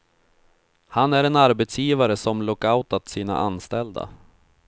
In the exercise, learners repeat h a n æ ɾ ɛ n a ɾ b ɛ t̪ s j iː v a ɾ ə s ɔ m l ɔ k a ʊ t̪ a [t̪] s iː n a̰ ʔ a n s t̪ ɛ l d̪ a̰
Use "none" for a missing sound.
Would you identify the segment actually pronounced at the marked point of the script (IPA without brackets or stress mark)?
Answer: t̪